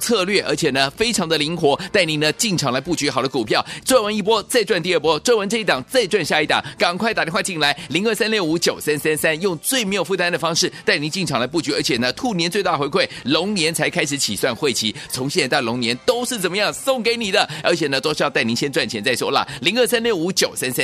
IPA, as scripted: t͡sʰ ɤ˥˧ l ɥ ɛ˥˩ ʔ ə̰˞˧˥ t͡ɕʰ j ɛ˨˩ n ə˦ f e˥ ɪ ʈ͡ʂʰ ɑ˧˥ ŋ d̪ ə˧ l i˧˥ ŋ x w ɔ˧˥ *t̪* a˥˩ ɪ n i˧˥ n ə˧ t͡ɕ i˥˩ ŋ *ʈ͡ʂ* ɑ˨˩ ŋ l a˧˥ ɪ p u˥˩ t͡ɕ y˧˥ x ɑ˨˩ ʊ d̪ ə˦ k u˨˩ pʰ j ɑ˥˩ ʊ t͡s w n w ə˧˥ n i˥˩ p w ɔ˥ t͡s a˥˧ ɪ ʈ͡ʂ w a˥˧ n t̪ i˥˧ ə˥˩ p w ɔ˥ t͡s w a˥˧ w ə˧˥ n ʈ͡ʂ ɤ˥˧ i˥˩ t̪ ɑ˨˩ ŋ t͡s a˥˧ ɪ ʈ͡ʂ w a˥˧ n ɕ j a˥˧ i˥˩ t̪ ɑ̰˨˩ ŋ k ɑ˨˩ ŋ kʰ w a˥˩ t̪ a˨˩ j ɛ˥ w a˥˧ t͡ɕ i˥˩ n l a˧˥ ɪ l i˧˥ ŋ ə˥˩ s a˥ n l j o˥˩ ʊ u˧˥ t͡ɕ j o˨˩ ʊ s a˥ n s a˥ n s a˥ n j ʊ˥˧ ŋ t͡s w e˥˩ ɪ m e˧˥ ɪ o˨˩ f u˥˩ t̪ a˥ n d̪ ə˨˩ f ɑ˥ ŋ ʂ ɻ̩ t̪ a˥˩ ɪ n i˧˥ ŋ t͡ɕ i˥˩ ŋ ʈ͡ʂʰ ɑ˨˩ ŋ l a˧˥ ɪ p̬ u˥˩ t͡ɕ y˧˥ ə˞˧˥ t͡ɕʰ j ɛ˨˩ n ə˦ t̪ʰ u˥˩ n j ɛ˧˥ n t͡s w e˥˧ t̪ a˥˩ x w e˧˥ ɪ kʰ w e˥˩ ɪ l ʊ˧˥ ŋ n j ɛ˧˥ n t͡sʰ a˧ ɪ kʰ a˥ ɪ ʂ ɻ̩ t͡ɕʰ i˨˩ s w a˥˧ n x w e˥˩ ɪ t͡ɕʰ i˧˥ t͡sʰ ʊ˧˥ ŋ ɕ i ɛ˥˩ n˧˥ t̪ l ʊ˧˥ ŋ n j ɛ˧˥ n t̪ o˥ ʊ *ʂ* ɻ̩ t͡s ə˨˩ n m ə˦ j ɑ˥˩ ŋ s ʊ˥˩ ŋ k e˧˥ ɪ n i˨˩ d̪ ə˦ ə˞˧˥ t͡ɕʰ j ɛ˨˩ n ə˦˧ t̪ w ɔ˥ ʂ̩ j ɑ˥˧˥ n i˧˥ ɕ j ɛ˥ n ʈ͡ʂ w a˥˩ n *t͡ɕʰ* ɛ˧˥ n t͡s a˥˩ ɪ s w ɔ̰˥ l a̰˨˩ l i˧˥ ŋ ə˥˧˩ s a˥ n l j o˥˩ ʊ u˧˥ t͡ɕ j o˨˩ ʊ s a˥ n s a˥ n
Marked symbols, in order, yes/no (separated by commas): yes, no, yes, yes